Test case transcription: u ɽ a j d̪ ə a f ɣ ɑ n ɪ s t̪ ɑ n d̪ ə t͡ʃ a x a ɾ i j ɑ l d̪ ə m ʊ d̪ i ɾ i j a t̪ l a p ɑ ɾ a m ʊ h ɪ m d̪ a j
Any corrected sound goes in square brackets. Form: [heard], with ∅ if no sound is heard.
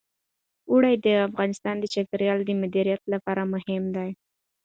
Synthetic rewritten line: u ɽ a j d̪ ə a f ɣ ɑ n ɪ s t̪ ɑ n d̪ ə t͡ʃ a [k] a ɾ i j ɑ l d̪ ə m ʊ d̪ i ɾ i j a t̪ l a p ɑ ɾ a m ʊ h ɪ m d̪ a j